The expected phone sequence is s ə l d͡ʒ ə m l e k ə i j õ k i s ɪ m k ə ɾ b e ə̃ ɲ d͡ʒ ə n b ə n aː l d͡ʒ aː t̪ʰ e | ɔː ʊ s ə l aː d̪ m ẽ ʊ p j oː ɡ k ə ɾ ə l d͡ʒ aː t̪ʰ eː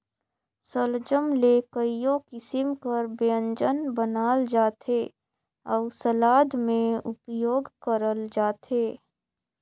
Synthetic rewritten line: s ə l d͡ʒ ə m l e k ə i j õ k ɪ s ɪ m k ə ɾ b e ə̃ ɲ d͡ʒ ə n b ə n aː l d͡ʒ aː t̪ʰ e | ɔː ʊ s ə l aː d̪ m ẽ ʊ p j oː ɡ k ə ɾ ə l d͡ʒ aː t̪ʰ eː

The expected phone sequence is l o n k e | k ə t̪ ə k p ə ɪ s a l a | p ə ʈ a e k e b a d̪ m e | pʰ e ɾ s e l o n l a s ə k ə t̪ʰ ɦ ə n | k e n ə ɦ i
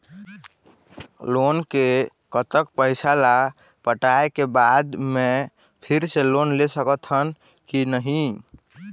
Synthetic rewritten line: l o n k e | k ə t̪ ə k p ə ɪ s a l a | p ə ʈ a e k e b a d̪ m e | pʰ i ɾ s e l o n l e s ə k ə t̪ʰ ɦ ə n | k i n ə ɦ i

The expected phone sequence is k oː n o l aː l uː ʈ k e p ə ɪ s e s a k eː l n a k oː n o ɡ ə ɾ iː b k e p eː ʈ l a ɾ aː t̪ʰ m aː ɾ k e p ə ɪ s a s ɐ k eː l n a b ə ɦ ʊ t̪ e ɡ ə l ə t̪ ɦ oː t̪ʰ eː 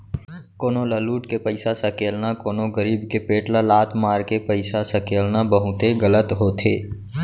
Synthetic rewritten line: k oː n o l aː l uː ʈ k e p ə ɪ s a s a k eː l n a k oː n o ɡ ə ɾ iː b k e p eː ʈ l a l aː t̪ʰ m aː ɾ k e p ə ɪ s a s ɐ k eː l n a b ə ɦ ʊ t̪ e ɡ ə l ə t̪ ɦ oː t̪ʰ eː

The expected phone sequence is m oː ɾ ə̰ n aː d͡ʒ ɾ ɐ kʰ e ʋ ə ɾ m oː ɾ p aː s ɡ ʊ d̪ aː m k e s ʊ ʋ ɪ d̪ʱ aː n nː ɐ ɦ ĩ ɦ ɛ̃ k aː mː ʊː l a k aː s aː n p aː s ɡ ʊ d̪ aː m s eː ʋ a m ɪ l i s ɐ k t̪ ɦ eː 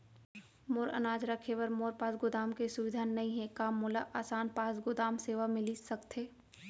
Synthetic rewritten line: m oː ɾ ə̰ n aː d͡ʒ ɾ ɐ kʰ e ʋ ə ɾ m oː ɾ p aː s ɡ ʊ d̪ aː m k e s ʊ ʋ ɪ d̪ʱ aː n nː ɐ ɦ ĩ ɦ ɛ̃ k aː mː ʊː l a ʔ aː s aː n p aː s ɡ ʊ d̪ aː m s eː ʋ a m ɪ l i s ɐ k t̪ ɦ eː

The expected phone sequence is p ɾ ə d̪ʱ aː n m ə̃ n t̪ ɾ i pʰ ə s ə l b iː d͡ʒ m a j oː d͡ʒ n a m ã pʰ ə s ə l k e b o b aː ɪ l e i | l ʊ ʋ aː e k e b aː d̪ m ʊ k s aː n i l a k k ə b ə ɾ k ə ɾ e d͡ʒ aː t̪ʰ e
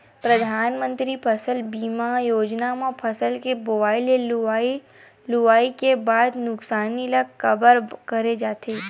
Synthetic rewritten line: p ɾ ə d̪ʱ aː n m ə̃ n t̪ ɾ i pʰ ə s ə l b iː m a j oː d͡ʒ n a m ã pʰ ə s ə l k e b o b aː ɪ l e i | l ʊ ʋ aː i k e b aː d̪ n ʊ k s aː n i l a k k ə b ə ɾ k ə ɾ e d͡ʒ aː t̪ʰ e

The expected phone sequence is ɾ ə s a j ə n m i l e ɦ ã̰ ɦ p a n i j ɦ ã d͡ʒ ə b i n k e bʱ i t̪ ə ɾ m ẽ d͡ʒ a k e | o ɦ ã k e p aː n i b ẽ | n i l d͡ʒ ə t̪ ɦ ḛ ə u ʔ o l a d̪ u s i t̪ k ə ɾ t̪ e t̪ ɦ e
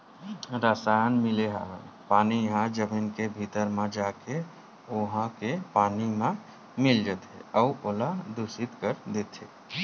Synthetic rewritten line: ɾ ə s a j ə n m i l e ɦ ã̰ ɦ p a n i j ɦ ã d͡ʒ ə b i n k e bʱ i t̪ ə ɾ m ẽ d͡ʒ a k e | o ɦ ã k e p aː n i m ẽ | m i l d͡ʒ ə t̪ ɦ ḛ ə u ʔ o l a d̪ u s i t̪ k ə ɾ d̪ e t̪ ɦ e

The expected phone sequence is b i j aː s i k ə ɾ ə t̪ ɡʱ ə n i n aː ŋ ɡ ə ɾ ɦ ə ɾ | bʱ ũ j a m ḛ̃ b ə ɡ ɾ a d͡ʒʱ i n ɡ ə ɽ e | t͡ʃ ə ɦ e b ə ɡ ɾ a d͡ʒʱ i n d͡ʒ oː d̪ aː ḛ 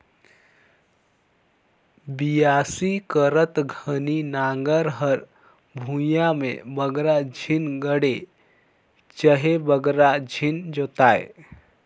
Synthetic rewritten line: b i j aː s i k ə ɾ ə t̪ ɡʱ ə n i n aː ŋ ɡ ə ɾ ɦ ə ɾ | bʱ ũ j a m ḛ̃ b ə ɡ ɾ a d͡ʒʱ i n ɡ ə ɽ e | t͡ʃ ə ɦ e b ə ɡ ɾ a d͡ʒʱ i n d͡ʒ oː t̪ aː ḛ

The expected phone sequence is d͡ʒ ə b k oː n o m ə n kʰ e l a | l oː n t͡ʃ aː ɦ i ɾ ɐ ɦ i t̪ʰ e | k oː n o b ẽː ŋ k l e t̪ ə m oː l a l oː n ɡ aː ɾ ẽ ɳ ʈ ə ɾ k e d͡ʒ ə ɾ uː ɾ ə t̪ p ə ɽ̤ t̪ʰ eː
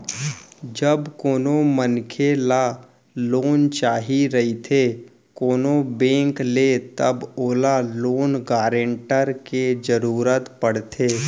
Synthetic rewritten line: d͡ʒ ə b k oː n o m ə n kʰ e l a | l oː n t͡ʃ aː ɦ i ɾ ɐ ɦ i t̪ʰ e | k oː n o b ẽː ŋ k l e t̪ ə b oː l a l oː n ɡ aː ɾ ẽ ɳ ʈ ə ɾ k e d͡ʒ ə ɾ uː ɾ ə t̪ p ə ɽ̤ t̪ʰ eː

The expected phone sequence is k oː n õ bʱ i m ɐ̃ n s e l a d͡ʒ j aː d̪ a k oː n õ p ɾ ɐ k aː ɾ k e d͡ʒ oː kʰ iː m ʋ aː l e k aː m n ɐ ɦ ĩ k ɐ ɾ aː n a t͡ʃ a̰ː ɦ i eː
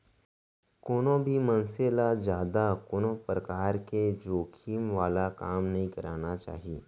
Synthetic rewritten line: k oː n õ bʱ i m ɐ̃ n s e l a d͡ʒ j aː d̪ a k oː n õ p ɾ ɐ k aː ɾ k e d͡ʒ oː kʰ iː m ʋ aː l a k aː m n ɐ ɦ ĩ k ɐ ɾ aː n a t͡ʃ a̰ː ɦ i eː

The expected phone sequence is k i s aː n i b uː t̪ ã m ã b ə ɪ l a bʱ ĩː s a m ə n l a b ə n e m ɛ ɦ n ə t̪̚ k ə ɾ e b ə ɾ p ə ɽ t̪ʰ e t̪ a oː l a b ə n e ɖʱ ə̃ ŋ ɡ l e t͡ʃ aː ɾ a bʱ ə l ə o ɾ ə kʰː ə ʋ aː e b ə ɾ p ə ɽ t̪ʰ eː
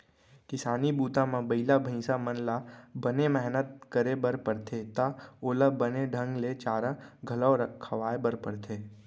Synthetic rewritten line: k ɪ s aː n i b uː t̪ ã m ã b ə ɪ l a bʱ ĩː s a m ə n l a b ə n e m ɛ ɦ n ə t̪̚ k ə ɾ e b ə ɾ p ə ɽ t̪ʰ e t̪ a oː l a b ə n e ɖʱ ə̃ ŋ ɡ l e t͡ʃ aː ɾ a ɡʱ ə l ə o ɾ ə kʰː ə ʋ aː e b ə ɾ p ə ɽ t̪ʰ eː

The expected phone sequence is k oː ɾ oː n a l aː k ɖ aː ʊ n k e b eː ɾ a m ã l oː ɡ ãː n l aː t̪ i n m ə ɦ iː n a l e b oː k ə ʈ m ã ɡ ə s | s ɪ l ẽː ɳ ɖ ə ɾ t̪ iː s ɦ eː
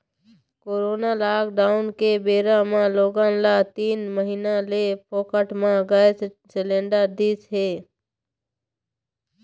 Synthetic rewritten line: k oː ɾ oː n a l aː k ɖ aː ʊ n k e b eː ɾ a m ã l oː ɡ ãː n l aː t̪ iː n m ə ɦ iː n a l e p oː k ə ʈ m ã ɡ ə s | s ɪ l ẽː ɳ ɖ ə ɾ d̪ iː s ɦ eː

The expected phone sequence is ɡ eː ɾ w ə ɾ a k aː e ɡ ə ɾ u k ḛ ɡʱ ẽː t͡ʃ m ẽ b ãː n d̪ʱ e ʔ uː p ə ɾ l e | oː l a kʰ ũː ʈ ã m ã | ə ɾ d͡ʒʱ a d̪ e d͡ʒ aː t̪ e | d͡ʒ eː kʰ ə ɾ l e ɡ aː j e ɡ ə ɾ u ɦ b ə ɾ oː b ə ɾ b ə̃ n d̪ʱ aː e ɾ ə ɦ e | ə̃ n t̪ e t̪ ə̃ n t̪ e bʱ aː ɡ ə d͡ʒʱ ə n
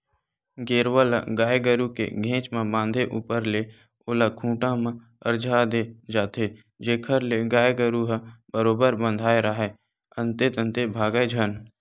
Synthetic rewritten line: ɡ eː ɾ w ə l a ɡ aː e ɡ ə ɾ u k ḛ ɡʱ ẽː t͡ʃ m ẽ b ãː n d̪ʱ e ʔ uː p ə ɾ l e | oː l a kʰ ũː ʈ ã m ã | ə ɾ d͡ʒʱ a d̪ e d͡ʒ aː t̪ e | d͡ʒ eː kʰ ə ɾ l e ɡ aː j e ɡ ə ɾ u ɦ b ə ɾ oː b ə ɾ b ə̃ n d̪ʱ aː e ɾ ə ɦ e | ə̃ n t̪ e t̪ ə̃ n t̪ e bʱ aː ɡ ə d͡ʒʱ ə n

